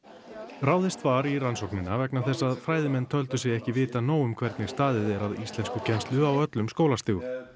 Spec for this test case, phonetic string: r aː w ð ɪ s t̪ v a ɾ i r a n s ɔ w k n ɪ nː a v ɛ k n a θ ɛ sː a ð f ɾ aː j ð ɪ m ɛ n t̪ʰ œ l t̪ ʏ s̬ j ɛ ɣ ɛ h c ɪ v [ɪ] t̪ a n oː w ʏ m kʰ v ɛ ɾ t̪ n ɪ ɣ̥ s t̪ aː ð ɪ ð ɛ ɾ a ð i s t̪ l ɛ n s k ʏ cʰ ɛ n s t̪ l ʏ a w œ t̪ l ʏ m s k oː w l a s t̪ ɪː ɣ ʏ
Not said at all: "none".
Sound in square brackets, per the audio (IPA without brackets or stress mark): ɪː